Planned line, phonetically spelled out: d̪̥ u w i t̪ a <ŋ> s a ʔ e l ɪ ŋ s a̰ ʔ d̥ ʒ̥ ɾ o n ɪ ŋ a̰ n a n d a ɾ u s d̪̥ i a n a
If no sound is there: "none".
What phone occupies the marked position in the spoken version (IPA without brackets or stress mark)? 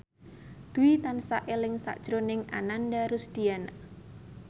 n